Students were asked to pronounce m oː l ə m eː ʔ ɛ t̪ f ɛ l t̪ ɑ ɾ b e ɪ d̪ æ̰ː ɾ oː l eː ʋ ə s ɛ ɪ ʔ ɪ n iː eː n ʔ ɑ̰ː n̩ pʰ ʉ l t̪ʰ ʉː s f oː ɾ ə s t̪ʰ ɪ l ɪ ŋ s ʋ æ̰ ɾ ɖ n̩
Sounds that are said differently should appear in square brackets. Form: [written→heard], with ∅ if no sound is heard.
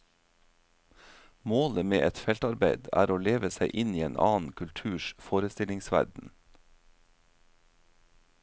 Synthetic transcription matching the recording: m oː l ə m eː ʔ ɛ t̪ f ɛ l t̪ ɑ ɾ b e ɪ d̪ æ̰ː ɾ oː l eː ʋ ə s [ɛ→æ] ɪ ʔ ɪ n iː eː n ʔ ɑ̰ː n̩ [pʰ→kʰ] ʉ l t̪ʰ ʉː [s→ʃ] f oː ɾ ə s [t̪ʰ→t̪] ɪ l ɪ ŋ s ʋ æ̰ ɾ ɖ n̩